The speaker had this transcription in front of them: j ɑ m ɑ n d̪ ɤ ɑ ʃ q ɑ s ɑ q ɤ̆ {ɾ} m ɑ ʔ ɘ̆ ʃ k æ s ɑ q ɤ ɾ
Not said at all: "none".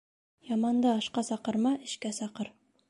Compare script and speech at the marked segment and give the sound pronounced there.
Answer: ɾ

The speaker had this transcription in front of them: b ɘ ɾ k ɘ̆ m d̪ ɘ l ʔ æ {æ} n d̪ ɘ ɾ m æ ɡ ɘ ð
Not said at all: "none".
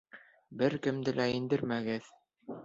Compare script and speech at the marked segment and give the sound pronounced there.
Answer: i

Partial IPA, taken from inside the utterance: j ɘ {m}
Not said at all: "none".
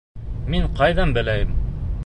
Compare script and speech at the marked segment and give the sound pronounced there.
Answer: m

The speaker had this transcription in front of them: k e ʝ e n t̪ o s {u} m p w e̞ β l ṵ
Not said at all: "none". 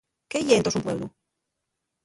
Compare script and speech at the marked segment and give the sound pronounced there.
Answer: u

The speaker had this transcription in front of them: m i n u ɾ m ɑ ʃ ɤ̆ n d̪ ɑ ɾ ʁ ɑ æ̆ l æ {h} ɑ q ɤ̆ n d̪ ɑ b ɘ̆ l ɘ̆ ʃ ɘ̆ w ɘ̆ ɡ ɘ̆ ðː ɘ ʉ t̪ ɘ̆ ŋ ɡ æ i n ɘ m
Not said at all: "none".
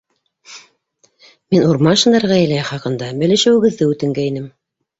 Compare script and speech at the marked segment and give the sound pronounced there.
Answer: χ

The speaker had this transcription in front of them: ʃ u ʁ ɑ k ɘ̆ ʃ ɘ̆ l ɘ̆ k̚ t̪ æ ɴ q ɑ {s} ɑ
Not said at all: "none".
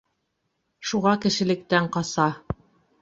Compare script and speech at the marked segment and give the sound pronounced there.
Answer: s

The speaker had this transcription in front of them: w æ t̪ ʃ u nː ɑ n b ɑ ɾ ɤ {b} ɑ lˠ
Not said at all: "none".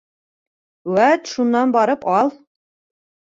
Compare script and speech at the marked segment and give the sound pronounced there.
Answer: p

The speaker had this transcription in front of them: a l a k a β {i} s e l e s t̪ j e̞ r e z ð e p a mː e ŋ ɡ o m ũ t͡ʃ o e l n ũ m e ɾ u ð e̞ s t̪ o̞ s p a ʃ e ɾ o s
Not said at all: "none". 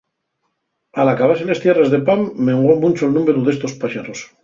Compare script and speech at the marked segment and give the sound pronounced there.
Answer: a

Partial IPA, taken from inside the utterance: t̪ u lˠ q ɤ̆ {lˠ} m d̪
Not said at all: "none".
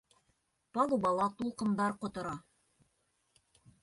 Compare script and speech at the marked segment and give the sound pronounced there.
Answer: none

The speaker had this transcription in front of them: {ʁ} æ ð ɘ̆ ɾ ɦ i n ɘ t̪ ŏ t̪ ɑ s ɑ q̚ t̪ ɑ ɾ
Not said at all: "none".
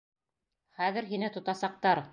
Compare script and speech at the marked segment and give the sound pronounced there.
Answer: χ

